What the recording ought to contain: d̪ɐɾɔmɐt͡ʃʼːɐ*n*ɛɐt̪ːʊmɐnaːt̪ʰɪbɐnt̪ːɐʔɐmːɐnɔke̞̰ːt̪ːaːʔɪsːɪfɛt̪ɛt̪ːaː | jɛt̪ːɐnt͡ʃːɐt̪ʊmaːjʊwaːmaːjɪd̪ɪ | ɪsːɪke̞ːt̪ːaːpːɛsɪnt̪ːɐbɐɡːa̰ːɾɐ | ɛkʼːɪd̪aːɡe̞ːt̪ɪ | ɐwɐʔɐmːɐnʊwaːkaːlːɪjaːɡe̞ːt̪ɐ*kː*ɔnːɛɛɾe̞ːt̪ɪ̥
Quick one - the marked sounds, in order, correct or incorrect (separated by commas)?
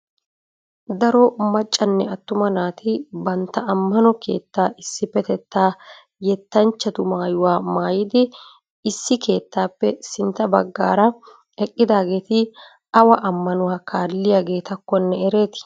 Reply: incorrect, correct